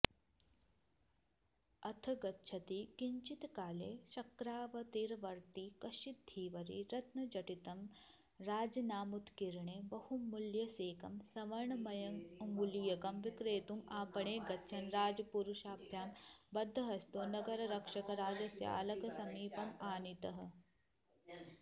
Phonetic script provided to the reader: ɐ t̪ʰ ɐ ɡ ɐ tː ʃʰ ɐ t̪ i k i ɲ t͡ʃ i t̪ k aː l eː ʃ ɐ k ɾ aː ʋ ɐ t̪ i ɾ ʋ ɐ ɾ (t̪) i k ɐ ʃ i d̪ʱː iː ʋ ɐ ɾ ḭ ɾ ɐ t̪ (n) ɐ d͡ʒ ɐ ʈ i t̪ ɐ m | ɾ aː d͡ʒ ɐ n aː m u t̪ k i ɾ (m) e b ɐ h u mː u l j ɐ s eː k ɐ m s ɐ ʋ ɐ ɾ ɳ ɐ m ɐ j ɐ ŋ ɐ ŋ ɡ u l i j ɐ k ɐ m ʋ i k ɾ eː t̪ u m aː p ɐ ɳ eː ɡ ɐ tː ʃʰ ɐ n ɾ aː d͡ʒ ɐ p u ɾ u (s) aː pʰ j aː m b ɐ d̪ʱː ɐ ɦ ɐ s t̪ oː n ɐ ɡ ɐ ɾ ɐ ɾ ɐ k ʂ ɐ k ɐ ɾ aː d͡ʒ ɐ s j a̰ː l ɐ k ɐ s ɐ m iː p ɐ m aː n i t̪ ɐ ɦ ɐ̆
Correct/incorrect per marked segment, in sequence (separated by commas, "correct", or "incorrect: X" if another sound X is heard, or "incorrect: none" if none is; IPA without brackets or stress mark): correct, correct, incorrect: ɳ, incorrect: ʃ